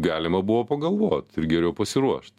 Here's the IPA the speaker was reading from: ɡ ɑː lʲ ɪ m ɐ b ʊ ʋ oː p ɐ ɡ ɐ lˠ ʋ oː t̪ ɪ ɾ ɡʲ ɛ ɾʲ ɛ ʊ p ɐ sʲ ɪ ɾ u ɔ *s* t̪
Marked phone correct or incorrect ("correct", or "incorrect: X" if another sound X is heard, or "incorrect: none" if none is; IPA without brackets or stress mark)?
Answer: incorrect: ʃ